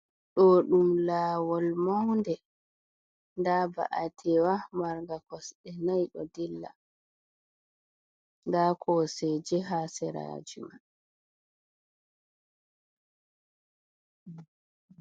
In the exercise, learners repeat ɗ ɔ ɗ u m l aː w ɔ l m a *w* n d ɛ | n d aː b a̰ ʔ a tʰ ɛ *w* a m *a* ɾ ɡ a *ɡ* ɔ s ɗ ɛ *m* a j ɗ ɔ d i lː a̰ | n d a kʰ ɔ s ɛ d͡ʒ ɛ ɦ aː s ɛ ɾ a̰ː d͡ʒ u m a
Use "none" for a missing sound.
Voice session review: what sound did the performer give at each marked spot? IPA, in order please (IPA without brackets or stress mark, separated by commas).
w, w, a, k, n